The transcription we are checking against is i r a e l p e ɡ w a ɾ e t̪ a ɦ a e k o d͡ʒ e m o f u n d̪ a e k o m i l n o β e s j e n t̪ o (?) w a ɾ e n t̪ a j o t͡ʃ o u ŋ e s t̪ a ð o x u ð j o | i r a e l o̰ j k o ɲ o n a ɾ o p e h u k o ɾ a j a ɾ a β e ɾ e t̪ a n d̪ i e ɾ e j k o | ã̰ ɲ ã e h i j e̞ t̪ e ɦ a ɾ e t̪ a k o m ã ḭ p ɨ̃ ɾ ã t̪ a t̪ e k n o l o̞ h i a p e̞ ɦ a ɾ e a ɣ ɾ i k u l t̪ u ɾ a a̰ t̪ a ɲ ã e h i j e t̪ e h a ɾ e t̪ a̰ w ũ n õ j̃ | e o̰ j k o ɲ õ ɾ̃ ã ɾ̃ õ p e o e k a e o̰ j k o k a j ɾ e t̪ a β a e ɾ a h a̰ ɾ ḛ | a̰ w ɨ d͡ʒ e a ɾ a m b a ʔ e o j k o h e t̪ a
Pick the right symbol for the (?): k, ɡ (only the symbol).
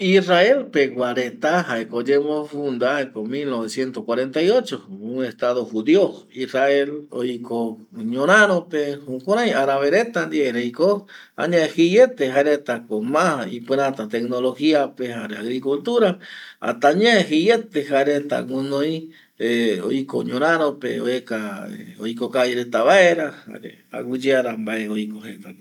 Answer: k